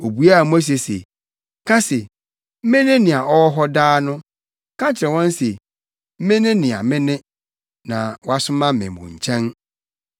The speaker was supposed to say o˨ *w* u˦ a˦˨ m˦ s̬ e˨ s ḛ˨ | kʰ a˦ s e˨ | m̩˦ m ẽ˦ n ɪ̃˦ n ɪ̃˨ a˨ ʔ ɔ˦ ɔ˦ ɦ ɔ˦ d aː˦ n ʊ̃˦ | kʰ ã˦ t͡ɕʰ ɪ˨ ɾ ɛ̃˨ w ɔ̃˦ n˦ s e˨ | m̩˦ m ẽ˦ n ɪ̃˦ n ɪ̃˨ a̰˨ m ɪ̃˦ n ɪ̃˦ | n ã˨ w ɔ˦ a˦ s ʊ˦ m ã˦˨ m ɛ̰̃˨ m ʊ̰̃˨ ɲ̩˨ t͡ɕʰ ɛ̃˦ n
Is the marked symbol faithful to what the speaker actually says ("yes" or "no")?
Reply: no